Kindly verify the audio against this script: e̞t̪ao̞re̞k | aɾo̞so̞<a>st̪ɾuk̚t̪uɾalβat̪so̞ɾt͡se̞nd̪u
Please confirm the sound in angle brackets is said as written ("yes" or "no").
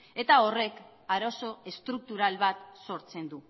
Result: no